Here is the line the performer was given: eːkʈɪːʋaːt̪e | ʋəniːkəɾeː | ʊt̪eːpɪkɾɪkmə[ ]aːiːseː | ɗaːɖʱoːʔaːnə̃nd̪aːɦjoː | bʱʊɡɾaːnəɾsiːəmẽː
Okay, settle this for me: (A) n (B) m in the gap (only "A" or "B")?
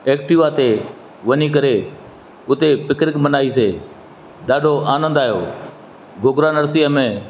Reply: A